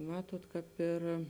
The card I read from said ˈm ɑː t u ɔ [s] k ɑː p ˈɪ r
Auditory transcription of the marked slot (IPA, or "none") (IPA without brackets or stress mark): t